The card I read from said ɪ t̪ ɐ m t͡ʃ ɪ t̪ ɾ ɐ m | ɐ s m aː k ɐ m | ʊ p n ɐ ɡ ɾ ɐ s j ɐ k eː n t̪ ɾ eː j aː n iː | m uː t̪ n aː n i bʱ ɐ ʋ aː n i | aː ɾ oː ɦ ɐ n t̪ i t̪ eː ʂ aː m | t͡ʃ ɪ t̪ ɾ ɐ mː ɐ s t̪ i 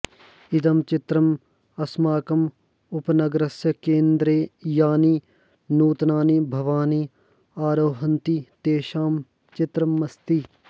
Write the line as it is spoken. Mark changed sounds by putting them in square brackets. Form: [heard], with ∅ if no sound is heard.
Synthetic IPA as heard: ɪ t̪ ɐ m t͡ʃ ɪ t̪ ɾ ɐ m | ɐ s m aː k ɐ m | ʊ p n ɐ ɡ ɾ ɐ s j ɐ k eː n [d̪] ɾ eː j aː n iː | [n] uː t̪ n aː n i bʱ ɐ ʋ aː n i | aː ɾ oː ɦ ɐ n t̪ i t̪ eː [ʃ] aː m | t͡ʃ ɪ t̪ ɾ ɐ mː ɐ s t̪ i